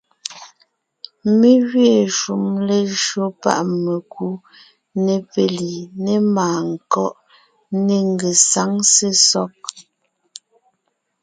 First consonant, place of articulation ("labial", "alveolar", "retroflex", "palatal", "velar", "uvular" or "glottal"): labial